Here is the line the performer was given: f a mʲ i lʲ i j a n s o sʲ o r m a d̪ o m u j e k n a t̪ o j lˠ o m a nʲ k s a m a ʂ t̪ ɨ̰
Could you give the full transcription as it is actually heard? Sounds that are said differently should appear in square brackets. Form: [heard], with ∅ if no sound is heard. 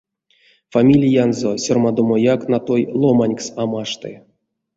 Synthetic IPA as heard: f a mʲ i lʲ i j a n [z] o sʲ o r m a d̪ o m [o] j [a] k n a t̪ o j lˠ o m a nʲ k s a m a ʂ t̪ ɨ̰